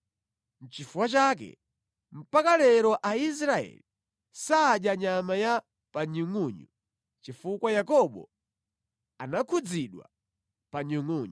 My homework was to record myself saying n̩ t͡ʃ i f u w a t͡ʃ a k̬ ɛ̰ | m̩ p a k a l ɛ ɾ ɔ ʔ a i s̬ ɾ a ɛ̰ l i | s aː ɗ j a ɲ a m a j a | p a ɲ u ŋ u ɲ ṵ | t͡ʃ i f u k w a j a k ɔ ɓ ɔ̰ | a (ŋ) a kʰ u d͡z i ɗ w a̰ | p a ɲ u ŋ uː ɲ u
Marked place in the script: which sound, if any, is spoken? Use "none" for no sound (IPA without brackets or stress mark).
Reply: n